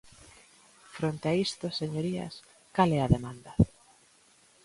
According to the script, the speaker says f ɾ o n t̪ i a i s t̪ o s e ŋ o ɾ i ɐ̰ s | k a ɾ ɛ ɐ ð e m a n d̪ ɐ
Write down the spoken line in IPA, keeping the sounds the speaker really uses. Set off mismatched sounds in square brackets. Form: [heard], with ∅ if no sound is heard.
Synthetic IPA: f ɾ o n t̪ [e] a i s t̪ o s e [ɲ] o ɾ i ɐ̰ s | k a [l] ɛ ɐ ð e m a n d̪ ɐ